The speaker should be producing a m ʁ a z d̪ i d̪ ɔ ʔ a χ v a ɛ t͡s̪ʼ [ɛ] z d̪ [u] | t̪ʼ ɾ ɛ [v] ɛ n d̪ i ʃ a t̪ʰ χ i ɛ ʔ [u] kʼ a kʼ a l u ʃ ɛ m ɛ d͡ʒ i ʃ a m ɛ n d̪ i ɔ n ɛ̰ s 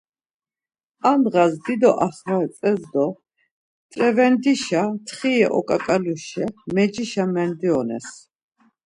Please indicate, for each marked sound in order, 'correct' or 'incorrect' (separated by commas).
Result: correct, incorrect, correct, incorrect